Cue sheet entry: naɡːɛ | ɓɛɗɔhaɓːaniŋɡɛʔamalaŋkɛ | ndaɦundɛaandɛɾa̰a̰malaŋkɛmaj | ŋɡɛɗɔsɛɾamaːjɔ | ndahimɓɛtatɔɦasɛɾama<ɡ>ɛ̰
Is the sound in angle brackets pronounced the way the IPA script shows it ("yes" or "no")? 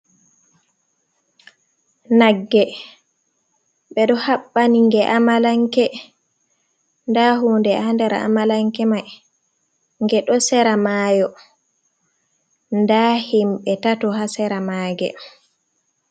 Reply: yes